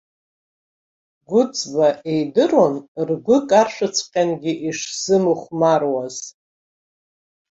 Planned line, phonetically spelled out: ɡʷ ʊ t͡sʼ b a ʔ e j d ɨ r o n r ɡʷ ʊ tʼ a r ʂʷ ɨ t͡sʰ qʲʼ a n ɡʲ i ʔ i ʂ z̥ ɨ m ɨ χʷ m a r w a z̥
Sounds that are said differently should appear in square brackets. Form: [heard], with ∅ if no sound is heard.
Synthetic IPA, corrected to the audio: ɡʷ ʊ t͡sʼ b a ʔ e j d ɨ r o n r ɡʷ ʊ [kʼ] a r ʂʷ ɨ t͡sʰ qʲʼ a n ɡʲ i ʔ i ʂ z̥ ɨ m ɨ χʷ m a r w a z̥

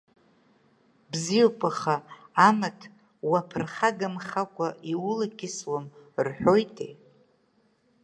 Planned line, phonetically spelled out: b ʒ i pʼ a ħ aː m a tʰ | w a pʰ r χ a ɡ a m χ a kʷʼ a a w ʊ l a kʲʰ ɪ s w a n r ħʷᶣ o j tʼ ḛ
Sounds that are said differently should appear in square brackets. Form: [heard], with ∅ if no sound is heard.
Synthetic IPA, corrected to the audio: b [z] i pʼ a [χ] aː m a tʰ | w a pʰ r χ a ɡ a m χ a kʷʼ a [i] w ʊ l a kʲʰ ɪ s w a [m] r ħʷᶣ o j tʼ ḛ

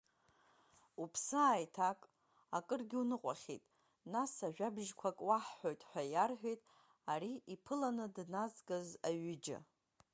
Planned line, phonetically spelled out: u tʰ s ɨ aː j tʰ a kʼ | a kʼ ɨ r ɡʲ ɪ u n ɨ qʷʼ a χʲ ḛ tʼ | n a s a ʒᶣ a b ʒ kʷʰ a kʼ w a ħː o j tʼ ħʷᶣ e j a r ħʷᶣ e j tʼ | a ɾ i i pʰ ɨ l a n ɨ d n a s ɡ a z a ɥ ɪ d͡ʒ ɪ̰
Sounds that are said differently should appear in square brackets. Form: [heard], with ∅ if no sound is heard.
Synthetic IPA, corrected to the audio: u [pʰ] s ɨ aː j tʰ a kʼ | a kʼ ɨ r ɡʲ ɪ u n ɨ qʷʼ a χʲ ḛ tʼ | n a s a ʒᶣ a b ʒ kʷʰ a kʼ w a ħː o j tʼ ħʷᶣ [a] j a r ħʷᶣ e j tʼ | a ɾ i i pʰ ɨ l a n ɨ d n a [z] ɡ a z a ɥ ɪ d͡ʒ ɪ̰

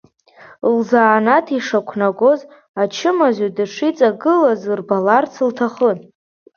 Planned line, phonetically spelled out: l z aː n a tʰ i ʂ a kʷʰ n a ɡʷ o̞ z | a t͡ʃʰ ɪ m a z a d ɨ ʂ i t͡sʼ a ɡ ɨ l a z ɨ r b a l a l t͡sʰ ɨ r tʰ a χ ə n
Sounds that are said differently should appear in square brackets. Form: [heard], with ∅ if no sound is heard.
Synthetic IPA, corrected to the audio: l z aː n a tʰ i ʂ a kʷʰ n a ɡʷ o̞ z | a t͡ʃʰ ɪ m a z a d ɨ ʂ i t͡sʼ a ɡ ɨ l a z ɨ r b a l a [r] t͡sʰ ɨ [l] tʰ a χ ə n

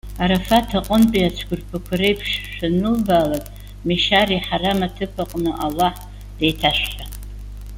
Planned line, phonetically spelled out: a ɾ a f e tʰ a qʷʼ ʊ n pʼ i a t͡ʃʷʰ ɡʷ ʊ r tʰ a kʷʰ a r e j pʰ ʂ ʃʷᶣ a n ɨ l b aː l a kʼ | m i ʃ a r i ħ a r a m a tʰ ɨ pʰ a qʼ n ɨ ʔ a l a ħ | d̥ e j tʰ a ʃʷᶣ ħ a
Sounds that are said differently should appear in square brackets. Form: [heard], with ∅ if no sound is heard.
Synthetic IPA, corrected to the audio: a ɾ a f [a] tʰ a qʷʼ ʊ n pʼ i a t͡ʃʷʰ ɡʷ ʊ r [pʰ] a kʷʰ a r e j pʰ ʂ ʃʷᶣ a n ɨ l b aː l a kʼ | m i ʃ a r i ħ a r a m a tʰ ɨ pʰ a qʼ n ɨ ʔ a l a ħ | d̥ e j tʰ a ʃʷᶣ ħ a

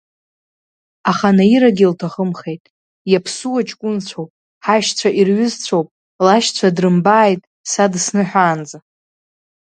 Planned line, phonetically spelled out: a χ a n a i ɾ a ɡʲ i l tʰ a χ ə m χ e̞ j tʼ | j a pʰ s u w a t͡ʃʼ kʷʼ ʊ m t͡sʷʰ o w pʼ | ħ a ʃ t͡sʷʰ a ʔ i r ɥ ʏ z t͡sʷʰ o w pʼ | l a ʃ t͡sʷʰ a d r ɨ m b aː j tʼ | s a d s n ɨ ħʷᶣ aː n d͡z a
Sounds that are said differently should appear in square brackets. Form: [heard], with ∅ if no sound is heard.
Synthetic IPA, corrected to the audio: a χ a n a i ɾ a ɡʲ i l tʰ a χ ə m χ e̞ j tʼ | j a pʰ s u w a t͡ʃʼ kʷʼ ʊ [n] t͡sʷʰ o w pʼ | ħ a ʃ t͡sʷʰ a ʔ i r ɥ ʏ z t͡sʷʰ o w pʼ | l a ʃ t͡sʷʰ a d r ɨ m b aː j tʼ | s a d s n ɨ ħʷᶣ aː n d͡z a

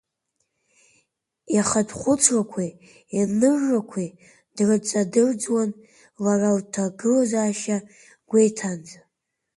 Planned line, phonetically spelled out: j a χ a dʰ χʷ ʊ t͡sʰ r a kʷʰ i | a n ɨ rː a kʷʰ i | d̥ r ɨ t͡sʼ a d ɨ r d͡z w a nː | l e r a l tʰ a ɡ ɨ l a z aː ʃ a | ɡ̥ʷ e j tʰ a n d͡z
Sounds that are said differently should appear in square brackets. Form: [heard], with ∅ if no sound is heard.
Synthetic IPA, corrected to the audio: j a χ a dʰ χʷ ʊ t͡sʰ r a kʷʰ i | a n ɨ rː a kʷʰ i | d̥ r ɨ t͡sʼ a d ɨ r d͡z w a [n] | l [a] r a l tʰ a ɡ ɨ l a z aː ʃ a | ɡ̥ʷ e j tʰ a n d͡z

